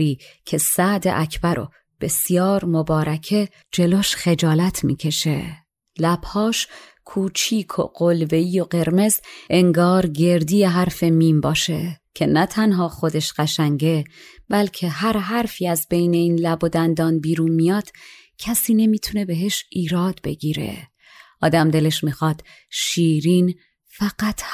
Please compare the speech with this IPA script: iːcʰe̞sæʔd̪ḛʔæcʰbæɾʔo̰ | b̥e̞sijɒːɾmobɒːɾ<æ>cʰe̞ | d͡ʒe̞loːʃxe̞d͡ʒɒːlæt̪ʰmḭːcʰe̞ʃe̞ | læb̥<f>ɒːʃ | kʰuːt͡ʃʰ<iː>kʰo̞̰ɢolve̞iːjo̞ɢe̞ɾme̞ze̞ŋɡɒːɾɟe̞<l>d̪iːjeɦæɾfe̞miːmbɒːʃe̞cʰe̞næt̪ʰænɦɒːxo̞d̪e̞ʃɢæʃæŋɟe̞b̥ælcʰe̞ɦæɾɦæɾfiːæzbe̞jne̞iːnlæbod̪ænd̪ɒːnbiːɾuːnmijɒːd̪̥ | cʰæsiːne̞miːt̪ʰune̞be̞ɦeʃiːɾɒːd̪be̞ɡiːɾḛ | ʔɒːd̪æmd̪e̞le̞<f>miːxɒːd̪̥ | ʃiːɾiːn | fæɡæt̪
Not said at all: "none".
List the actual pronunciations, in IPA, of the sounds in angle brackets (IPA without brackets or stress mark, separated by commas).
æ, h, iː, ɾ, ʃ